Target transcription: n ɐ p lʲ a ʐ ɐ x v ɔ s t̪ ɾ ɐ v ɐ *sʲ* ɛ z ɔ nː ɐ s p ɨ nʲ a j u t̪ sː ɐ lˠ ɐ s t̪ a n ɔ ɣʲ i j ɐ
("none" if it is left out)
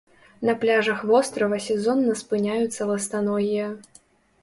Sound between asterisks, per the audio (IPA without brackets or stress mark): sʲ